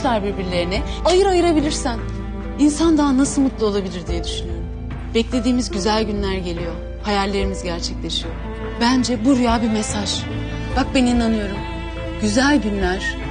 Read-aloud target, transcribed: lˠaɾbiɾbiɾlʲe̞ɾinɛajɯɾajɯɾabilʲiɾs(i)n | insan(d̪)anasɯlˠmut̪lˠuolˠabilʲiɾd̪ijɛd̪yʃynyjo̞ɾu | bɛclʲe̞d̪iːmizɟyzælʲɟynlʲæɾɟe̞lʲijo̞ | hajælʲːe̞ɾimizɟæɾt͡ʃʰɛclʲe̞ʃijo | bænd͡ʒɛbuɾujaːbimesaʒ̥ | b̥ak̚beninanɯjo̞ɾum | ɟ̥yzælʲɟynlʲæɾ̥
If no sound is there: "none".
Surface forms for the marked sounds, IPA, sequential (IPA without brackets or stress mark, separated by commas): æ, d̪